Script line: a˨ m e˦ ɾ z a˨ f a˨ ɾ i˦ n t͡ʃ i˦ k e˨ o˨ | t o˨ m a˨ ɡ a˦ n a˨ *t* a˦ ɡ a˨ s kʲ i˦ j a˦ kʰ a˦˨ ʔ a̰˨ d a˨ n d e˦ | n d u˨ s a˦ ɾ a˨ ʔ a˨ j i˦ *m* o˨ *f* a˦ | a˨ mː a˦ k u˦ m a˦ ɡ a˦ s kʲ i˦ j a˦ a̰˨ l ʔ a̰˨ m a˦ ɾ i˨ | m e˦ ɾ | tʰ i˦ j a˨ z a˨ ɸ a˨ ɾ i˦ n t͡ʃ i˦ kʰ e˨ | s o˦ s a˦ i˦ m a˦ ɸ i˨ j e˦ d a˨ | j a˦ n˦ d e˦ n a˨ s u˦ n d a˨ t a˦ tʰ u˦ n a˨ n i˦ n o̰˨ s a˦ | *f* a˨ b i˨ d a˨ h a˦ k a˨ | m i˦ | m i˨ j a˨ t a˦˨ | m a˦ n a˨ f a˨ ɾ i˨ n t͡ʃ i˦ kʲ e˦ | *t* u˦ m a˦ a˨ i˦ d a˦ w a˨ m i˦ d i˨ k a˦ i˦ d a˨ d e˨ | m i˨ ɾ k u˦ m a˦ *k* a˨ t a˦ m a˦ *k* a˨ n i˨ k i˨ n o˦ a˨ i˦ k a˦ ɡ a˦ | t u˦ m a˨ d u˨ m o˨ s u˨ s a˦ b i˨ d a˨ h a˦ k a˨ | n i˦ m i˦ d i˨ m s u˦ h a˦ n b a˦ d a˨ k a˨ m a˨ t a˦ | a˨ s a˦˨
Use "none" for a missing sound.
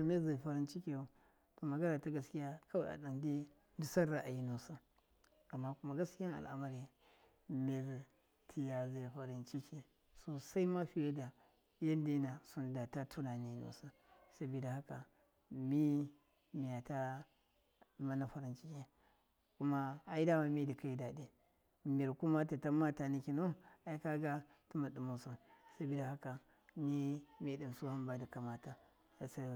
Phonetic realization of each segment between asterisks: t, n, s, s, k, t, t

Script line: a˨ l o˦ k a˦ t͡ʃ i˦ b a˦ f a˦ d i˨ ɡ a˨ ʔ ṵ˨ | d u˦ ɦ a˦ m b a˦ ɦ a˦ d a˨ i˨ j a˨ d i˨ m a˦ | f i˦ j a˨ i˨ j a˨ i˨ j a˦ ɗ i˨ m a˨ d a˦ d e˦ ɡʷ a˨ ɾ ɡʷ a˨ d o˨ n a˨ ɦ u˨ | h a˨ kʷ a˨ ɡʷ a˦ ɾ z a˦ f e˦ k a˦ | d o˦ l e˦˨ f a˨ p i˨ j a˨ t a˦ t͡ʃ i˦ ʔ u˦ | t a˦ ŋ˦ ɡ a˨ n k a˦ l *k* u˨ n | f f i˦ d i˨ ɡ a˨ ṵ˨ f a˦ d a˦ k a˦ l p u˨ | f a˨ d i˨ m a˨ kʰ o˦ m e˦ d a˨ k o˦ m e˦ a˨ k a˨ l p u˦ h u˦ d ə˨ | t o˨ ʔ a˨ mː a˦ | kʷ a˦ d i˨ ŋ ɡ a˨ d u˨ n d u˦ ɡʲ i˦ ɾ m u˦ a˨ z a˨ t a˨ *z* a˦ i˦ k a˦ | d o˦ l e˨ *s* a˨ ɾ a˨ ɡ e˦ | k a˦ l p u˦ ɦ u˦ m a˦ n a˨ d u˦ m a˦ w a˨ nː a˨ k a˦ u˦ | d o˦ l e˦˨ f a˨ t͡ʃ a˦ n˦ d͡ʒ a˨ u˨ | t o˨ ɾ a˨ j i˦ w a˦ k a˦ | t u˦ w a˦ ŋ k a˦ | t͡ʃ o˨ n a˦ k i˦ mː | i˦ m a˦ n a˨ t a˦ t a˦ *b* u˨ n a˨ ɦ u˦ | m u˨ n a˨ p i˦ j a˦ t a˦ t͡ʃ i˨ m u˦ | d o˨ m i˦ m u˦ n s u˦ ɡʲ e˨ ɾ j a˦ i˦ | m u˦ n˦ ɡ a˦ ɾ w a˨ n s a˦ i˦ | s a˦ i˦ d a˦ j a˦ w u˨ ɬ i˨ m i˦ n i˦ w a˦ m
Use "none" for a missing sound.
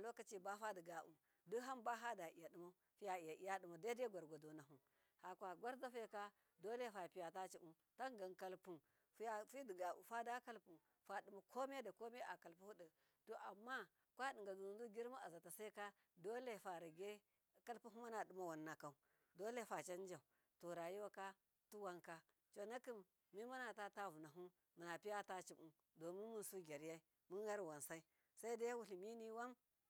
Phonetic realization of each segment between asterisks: p, s, f, v

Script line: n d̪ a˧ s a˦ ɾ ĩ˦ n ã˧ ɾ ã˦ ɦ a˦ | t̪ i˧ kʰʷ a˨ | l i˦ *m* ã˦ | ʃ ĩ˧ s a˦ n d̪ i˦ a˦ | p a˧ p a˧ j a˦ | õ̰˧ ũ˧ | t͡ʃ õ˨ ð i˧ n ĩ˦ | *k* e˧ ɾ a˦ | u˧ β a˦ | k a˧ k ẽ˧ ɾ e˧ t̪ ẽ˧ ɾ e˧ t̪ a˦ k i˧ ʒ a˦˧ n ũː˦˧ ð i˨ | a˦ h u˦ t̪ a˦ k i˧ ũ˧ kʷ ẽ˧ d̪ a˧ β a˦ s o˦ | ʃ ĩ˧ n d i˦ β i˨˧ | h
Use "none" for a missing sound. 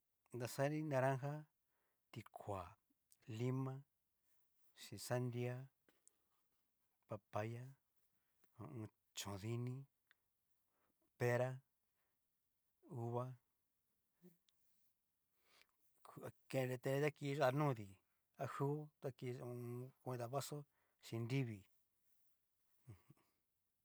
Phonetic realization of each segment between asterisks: m, p

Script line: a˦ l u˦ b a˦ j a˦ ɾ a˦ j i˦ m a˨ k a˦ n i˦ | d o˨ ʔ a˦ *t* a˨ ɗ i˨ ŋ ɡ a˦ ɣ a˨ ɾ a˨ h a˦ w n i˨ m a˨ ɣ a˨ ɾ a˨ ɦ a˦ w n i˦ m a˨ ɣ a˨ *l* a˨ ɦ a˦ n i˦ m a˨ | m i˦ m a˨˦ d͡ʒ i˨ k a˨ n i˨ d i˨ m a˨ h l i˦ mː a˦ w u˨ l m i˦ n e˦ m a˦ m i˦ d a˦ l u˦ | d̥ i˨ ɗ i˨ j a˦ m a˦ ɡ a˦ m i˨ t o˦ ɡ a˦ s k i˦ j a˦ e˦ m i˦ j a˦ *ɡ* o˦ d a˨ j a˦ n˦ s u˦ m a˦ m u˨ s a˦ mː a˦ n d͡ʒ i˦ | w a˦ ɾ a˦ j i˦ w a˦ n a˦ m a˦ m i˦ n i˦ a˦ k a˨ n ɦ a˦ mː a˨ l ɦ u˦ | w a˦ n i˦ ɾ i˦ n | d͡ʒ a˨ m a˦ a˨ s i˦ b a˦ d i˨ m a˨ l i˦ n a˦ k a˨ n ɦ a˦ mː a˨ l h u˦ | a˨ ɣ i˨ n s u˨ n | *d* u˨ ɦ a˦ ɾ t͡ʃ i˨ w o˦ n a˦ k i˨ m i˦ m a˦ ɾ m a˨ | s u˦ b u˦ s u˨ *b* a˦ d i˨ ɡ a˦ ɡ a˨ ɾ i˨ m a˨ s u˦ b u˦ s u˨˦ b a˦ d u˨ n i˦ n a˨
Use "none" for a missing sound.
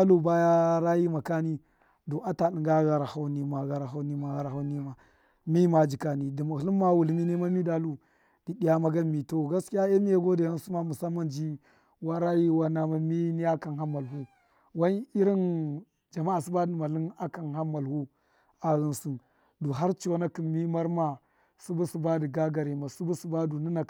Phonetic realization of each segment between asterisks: t, ɾ, ɡ, d, b

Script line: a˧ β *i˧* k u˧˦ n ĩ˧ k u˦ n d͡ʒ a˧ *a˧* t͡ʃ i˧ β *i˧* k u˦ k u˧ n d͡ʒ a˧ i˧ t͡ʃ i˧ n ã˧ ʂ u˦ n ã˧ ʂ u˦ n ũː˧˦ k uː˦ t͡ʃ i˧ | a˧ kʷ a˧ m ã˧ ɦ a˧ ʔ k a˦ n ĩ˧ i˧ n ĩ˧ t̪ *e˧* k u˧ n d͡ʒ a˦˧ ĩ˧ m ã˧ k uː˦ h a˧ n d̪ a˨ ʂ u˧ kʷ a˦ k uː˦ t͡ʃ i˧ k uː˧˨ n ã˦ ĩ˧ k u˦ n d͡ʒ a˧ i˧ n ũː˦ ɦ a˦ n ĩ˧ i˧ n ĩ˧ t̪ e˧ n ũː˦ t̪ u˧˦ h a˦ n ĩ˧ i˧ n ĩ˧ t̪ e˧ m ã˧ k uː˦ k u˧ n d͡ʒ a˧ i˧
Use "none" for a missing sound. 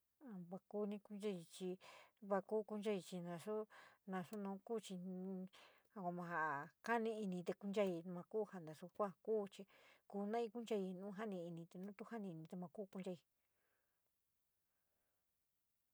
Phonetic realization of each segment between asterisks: a˧, i˧, a˧, e˧

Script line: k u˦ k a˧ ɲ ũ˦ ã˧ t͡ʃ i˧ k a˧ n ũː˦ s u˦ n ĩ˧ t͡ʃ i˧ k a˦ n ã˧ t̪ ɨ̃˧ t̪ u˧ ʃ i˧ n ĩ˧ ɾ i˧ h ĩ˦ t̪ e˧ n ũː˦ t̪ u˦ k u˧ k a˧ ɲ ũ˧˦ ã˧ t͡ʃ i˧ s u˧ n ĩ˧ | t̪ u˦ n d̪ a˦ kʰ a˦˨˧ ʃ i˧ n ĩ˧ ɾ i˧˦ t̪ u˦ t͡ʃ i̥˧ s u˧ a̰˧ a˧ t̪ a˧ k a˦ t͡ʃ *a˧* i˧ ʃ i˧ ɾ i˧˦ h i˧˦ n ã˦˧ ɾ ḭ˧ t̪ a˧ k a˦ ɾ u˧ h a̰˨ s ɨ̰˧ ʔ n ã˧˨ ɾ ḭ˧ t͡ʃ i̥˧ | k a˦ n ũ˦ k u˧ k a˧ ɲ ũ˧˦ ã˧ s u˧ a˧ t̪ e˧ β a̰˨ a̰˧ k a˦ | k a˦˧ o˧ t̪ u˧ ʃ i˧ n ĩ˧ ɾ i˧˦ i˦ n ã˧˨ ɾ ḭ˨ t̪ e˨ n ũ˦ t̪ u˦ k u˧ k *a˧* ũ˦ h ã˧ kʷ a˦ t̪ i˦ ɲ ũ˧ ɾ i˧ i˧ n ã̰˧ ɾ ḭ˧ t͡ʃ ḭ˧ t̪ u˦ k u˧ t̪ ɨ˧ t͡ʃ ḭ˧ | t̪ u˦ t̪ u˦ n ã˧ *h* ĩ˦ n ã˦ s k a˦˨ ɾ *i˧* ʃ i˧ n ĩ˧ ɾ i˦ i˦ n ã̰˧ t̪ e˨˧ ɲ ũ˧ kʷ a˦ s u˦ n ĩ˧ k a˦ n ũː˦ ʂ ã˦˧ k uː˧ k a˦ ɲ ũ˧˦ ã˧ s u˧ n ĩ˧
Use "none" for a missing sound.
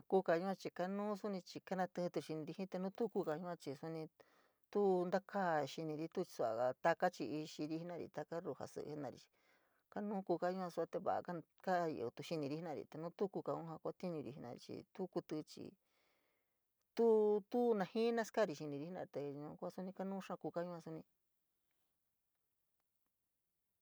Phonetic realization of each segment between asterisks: i˧, a˧, h, i˧

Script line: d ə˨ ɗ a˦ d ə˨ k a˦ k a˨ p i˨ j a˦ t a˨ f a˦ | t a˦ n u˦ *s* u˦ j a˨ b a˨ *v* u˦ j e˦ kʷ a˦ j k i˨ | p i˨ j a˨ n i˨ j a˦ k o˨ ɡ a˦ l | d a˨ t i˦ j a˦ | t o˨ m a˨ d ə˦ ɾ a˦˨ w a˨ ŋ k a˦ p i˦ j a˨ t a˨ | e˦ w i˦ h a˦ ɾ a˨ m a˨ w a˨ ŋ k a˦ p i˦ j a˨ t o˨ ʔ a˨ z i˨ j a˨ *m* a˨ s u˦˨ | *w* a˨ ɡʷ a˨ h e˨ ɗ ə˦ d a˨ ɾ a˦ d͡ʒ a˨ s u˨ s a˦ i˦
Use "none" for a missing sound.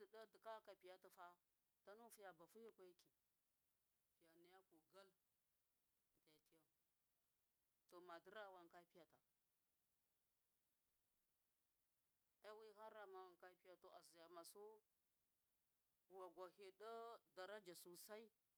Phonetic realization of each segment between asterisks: f, f, m, w

